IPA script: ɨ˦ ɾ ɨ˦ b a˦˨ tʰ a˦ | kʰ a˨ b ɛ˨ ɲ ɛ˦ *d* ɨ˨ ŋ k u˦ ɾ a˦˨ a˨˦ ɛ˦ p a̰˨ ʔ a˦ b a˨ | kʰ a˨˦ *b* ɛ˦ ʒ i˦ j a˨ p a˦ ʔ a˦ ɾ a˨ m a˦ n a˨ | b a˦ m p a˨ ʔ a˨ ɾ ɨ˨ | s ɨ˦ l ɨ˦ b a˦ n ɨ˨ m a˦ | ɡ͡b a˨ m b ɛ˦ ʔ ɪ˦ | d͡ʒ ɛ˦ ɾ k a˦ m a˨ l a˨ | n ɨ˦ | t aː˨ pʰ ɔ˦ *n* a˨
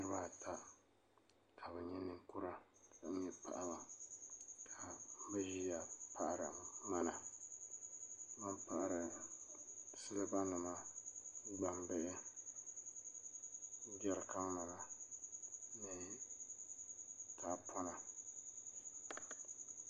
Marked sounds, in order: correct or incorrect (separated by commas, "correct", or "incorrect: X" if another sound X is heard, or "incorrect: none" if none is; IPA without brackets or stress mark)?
incorrect: n, correct, correct